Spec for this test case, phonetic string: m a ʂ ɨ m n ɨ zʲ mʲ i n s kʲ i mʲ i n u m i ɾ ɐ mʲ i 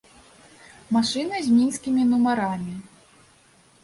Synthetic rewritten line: m a ʂ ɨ n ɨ zʲ mʲ i n s kʲ i mʲ i n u m a ɾ a mʲ i